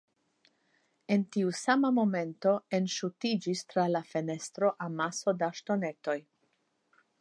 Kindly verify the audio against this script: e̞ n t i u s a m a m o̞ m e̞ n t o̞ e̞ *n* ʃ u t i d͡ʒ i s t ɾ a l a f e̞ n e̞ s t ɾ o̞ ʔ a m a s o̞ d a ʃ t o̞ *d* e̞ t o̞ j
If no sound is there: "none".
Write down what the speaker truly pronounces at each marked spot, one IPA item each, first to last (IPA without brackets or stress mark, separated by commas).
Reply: n, n